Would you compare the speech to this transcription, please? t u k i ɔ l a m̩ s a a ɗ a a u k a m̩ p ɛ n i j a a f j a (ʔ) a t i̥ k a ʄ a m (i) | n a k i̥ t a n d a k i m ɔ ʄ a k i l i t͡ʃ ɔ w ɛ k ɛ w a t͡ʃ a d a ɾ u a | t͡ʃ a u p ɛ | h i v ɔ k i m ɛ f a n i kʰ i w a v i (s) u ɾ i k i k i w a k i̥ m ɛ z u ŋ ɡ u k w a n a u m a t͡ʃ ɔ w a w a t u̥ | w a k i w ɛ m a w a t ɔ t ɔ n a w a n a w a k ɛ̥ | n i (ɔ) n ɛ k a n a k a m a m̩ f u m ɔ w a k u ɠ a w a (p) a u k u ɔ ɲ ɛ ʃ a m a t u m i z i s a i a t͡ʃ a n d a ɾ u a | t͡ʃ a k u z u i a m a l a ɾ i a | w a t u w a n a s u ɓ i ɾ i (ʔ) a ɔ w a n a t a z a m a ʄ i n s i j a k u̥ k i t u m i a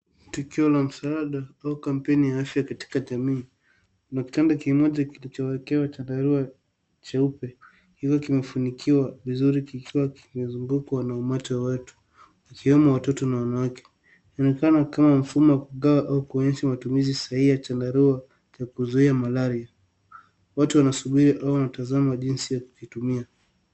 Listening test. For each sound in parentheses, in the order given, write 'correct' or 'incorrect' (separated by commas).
incorrect, incorrect, incorrect, correct, incorrect, correct